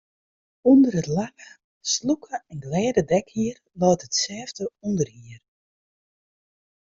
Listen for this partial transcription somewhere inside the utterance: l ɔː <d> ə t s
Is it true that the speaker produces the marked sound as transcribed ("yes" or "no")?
no